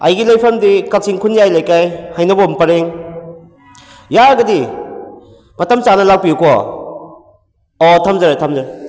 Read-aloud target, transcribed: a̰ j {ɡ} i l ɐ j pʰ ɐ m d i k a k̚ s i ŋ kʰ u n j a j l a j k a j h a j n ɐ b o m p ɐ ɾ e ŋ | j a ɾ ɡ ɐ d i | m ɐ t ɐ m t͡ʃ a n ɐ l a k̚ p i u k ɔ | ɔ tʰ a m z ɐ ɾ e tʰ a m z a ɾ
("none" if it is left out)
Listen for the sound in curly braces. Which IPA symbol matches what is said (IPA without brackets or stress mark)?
ɡ